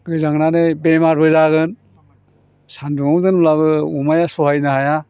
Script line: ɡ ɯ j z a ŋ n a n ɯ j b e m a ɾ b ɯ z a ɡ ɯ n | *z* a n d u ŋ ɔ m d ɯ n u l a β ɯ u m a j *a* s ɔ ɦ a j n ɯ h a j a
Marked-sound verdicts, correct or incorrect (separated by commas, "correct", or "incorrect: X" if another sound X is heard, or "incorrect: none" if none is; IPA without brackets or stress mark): incorrect: s, correct